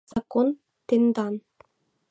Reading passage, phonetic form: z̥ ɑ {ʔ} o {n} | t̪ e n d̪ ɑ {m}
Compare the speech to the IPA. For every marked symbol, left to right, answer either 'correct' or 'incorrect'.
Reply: incorrect: k, correct, incorrect: n

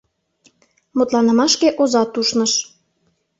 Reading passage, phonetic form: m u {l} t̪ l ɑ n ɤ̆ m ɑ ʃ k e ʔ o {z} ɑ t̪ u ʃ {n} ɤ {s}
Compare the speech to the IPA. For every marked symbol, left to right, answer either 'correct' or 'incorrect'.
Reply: incorrect: none, correct, correct, incorrect: ʃ

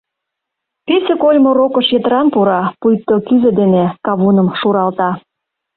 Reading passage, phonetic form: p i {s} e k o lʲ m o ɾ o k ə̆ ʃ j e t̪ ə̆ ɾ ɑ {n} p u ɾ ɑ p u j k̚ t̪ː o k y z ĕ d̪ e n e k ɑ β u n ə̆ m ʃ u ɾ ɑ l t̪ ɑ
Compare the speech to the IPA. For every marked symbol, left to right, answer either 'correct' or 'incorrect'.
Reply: correct, correct

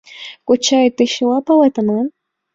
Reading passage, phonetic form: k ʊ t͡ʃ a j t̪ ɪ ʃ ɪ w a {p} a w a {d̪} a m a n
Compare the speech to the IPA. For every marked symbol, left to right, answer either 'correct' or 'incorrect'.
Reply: correct, incorrect: t̪

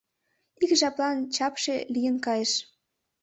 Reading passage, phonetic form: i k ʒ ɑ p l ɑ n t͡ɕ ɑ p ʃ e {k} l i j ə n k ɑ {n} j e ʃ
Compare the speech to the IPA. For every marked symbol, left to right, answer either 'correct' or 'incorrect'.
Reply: incorrect: none, incorrect: none

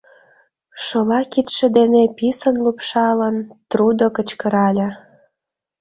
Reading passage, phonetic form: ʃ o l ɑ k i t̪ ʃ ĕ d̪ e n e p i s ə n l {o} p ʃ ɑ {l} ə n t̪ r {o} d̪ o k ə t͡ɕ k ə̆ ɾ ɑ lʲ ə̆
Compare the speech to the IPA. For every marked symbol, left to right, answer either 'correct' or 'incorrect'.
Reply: incorrect: u, correct, incorrect: u

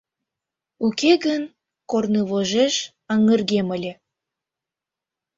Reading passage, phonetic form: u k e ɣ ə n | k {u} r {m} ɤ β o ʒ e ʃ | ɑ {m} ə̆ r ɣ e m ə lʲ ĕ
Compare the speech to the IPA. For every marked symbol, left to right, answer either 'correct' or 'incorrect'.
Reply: incorrect: o, incorrect: n, incorrect: ŋ

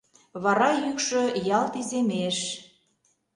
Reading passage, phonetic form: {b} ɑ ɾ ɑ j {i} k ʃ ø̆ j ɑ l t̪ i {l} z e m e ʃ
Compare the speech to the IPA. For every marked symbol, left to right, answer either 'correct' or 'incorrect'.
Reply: incorrect: β, incorrect: y, incorrect: none

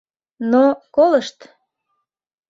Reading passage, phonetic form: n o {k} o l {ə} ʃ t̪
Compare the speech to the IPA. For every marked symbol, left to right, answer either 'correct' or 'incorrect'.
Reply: correct, correct

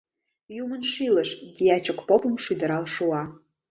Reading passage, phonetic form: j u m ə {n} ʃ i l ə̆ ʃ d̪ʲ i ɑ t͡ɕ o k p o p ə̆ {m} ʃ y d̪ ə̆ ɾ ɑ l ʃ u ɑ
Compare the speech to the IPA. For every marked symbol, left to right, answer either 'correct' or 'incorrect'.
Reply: correct, correct

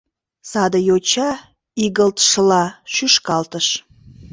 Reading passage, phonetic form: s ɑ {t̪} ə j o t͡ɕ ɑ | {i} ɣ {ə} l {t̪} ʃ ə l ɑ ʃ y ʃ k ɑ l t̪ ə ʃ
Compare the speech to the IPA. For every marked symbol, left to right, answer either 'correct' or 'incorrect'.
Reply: incorrect: d̪, correct, correct, correct

